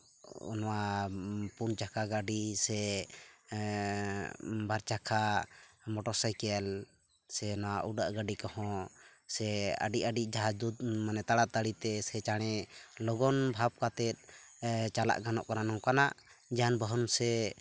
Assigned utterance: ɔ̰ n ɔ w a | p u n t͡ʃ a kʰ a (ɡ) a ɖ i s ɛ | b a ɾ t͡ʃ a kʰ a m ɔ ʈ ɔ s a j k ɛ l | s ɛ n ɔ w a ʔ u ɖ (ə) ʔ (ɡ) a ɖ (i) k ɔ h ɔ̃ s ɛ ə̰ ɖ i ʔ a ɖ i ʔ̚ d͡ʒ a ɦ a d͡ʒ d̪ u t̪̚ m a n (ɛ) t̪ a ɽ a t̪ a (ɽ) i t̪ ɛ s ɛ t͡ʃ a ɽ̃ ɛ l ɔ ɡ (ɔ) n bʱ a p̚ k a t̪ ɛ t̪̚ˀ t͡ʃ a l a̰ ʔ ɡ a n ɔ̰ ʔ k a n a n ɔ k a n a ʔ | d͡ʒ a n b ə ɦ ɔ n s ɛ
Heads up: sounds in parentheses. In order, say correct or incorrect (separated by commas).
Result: correct, incorrect, correct, correct, correct, correct, correct